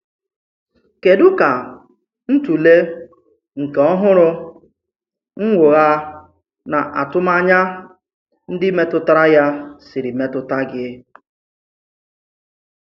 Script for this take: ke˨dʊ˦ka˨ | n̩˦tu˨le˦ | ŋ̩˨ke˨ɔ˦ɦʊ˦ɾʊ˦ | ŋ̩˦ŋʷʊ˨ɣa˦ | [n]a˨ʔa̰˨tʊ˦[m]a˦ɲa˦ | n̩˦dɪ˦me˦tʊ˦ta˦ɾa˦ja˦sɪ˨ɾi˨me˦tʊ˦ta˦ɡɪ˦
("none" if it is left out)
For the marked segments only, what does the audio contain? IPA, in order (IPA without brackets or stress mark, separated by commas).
n, m